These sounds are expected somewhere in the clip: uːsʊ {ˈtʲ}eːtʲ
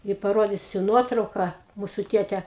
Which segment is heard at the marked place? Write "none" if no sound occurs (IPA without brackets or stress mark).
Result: tʲ